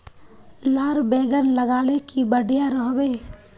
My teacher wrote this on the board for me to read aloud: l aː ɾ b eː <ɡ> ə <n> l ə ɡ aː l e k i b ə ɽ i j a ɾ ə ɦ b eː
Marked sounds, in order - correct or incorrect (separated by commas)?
correct, correct